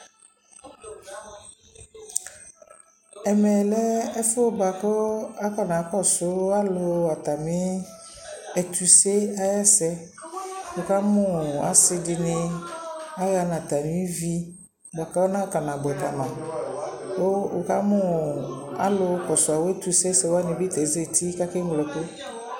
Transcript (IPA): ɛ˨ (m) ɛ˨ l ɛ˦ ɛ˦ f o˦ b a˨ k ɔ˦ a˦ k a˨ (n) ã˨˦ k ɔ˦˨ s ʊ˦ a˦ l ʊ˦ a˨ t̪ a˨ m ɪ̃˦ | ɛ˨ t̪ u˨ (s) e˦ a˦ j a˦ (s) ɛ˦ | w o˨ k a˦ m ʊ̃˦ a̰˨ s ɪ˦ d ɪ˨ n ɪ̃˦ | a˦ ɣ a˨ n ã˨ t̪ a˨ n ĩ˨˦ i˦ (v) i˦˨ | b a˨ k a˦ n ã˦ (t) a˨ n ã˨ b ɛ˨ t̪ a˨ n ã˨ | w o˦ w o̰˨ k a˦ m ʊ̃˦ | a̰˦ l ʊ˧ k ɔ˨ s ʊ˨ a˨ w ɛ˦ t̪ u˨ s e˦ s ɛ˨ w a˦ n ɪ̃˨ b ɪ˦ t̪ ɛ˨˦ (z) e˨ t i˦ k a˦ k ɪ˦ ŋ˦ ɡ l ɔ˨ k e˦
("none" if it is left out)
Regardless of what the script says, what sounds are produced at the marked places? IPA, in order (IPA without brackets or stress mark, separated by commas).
m, n, s, s, v, k, z